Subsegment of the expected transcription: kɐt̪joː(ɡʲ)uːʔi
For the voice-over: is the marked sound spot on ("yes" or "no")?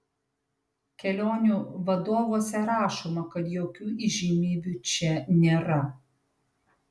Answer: no